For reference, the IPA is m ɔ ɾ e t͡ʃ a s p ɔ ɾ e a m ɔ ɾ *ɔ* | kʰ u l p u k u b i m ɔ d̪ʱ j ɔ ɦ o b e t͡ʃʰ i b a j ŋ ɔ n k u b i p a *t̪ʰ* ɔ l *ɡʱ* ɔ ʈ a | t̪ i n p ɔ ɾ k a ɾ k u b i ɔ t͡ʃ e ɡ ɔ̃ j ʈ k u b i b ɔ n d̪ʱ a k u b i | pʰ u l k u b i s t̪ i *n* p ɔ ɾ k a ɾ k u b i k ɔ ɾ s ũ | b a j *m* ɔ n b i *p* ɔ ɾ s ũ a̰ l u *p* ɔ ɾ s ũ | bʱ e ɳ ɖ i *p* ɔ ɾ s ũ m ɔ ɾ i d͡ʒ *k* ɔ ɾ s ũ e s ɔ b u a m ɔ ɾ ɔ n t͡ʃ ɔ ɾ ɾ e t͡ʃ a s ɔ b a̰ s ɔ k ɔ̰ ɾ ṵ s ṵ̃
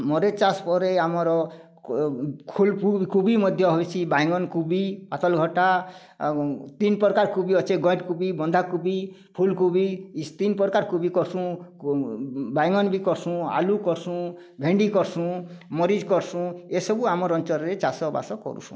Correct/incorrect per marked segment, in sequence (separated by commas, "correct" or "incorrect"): correct, incorrect, correct, correct, incorrect, incorrect, incorrect, incorrect, correct